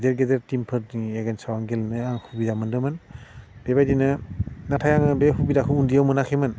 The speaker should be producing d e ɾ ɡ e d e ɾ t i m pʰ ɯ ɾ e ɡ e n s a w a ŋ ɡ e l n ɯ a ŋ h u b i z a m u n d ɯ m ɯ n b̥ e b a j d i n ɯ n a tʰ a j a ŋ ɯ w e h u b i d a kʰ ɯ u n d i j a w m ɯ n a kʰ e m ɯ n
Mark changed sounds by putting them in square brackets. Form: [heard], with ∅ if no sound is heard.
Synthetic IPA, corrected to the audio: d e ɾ ɡ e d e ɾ t i m pʰ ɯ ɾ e ɡ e n s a w a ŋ ɡ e l n ɯ a ŋ h u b i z a m [ɯ] n d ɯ m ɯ n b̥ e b a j d i n ɯ n a tʰ a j a ŋ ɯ [b] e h u b i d a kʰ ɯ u n d i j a w m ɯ n a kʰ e m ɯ n